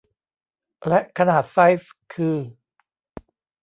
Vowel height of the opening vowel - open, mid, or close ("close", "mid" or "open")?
mid